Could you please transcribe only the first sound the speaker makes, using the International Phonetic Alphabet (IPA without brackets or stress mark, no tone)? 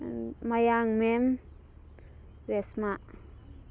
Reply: m